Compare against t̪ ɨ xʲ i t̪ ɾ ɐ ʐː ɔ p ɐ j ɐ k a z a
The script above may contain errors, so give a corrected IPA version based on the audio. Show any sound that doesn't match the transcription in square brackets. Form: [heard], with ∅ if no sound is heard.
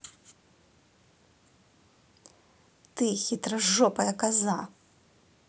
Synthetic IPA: t̪ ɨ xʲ i t̪ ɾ ɐ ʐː ɔ p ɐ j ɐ k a z a